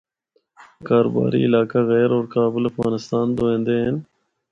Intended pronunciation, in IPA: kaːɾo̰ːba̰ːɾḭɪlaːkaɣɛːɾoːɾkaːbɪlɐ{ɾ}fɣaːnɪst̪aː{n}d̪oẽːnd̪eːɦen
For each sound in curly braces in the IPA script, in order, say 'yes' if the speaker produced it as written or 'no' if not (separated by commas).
no, yes